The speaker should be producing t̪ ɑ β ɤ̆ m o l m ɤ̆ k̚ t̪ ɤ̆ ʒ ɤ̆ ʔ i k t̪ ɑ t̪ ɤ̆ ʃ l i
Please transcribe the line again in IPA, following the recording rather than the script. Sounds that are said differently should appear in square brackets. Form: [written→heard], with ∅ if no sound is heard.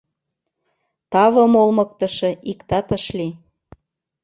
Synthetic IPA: t̪ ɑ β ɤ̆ m o l m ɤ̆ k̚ t̪ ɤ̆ [ʒ→ʃ] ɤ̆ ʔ i k t̪ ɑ t̪ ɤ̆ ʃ l i